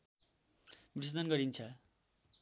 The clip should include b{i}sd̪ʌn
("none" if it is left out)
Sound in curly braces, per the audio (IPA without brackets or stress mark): i